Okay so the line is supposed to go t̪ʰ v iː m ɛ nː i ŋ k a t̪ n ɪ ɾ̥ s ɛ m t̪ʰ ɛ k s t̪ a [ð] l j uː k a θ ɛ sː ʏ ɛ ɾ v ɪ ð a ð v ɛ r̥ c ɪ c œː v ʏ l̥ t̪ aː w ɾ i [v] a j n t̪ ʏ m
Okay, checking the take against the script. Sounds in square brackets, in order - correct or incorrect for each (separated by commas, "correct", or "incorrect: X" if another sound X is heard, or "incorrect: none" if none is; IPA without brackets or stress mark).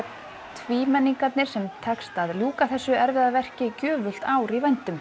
correct, correct